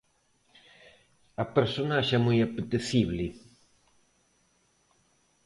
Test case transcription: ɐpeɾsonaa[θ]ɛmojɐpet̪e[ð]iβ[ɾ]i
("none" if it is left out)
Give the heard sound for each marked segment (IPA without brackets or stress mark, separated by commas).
ʃ, θ, l